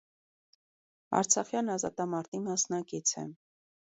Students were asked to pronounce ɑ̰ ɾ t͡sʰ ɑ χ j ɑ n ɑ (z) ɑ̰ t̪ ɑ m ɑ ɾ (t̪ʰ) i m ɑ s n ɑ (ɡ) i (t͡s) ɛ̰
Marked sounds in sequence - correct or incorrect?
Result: correct, incorrect: t̪, incorrect: k, incorrect: t͡sʰ

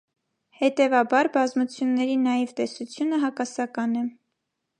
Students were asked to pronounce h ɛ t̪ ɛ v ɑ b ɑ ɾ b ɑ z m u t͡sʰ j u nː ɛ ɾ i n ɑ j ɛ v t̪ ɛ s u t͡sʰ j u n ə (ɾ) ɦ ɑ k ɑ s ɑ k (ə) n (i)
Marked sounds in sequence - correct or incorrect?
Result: incorrect: none, incorrect: ɑ, incorrect: ɛ

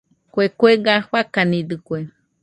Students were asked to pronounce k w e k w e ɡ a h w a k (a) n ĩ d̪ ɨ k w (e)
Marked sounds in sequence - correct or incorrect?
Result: correct, correct

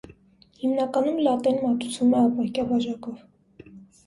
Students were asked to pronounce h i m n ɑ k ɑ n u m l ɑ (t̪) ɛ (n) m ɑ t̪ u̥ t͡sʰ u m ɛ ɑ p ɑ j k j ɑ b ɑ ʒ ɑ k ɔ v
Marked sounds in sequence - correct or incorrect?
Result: correct, correct

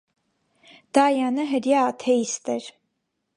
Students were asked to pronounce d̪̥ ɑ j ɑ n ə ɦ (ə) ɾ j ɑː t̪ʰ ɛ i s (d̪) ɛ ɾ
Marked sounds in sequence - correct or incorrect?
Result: correct, incorrect: t̪

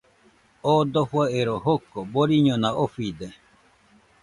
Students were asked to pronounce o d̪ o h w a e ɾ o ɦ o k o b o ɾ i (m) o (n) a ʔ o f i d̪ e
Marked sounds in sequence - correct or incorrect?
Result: incorrect: ɲ, correct

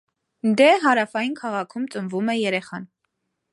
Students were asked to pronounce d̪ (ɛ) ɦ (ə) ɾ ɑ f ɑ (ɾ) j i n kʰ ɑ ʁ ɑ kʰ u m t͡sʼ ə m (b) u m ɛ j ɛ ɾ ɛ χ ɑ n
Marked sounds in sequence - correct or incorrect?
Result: correct, incorrect: ɑ, incorrect: none, incorrect: v

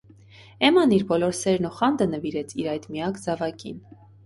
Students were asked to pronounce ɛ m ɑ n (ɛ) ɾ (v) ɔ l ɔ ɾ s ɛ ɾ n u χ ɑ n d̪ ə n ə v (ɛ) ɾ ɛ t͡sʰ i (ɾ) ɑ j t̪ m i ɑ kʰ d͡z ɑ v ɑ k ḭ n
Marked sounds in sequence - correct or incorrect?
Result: incorrect: i, incorrect: b, incorrect: i, correct

